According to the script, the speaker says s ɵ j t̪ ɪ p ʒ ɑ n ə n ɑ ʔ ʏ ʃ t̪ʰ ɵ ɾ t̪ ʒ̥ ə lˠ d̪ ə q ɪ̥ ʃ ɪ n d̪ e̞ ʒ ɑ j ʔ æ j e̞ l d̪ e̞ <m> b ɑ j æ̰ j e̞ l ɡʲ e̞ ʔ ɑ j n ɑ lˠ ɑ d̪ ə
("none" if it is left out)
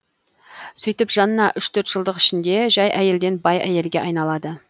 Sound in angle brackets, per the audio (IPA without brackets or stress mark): n